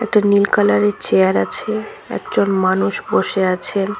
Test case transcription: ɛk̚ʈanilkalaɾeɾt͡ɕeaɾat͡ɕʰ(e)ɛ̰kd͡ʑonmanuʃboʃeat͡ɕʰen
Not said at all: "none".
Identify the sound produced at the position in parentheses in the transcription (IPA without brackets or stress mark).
e